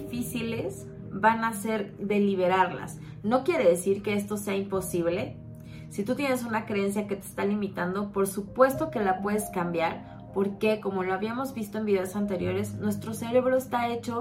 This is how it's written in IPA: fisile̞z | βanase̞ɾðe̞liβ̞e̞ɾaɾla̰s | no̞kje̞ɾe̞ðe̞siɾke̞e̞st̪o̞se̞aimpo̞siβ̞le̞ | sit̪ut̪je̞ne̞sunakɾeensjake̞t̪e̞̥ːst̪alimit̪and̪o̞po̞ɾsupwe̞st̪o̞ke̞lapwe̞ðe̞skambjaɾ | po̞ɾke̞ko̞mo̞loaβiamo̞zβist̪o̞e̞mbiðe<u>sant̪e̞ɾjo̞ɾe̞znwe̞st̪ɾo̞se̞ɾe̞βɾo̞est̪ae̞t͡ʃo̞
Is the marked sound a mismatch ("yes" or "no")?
yes